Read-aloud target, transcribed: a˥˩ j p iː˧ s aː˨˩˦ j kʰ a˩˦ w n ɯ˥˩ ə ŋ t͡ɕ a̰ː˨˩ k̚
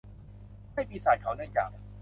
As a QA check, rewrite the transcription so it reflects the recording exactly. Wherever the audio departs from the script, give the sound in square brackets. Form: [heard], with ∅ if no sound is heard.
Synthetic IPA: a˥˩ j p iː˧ s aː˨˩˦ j kʰ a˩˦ w n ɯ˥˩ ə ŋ t͡ɕ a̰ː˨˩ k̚